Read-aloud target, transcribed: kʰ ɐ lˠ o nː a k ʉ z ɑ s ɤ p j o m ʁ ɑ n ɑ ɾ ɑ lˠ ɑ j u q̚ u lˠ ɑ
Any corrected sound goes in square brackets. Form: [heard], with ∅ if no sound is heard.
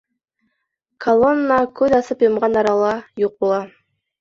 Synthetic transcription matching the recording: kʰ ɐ lˠ o nː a k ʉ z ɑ s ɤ p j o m ʁ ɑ n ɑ ɾ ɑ lˠ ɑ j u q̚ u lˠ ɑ